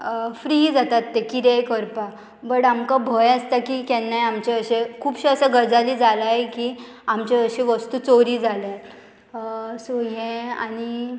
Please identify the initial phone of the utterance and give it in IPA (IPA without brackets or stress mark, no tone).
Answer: f